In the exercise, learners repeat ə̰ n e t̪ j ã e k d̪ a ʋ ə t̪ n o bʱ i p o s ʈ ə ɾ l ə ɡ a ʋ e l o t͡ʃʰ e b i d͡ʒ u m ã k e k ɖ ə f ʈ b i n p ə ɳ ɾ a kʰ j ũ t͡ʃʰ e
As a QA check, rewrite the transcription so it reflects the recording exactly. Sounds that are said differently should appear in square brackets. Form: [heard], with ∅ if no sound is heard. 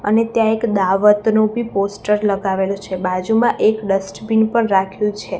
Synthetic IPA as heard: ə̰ n e t̪ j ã e k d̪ a ʋ ə t̪ n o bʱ i p o s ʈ ə ɾ l ə ɡ a ʋ e l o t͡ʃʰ e b [a] d͡ʒ u m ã [ʔ] e k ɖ ə [s] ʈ b i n p ə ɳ ɾ a kʰ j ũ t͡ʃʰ e